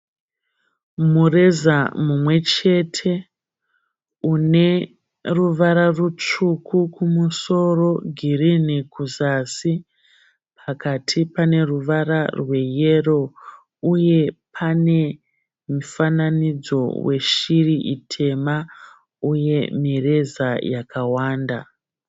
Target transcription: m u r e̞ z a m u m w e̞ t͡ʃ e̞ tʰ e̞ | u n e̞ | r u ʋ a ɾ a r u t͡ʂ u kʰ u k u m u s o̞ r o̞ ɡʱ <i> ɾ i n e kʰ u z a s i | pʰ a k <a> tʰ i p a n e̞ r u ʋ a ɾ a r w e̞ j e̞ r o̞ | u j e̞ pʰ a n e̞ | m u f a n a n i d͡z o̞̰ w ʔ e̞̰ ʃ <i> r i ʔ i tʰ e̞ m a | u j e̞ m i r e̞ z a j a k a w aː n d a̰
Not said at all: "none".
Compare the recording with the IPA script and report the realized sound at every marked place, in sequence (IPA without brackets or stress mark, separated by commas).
i, a, i